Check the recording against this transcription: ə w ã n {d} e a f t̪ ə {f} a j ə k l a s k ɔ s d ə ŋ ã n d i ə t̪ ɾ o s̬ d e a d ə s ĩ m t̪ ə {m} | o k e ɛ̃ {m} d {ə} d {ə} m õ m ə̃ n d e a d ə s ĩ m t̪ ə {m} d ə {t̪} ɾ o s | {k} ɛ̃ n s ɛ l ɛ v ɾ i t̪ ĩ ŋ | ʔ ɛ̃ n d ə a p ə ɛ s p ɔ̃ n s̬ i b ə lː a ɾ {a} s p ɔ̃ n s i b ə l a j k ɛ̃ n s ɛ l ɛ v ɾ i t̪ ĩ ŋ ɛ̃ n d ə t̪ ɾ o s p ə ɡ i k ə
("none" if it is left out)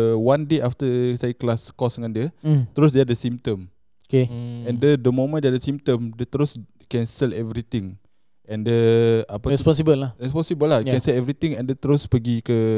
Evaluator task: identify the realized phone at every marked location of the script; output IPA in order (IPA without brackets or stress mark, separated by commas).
d, s, m, n, ə, ə, m, t̪, k, ɛ